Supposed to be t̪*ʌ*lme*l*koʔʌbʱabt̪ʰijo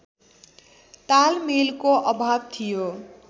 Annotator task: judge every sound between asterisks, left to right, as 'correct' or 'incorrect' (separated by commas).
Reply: incorrect, correct